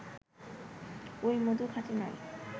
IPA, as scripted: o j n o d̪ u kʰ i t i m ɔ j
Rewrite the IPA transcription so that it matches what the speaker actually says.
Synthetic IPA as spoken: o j m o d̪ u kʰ a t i n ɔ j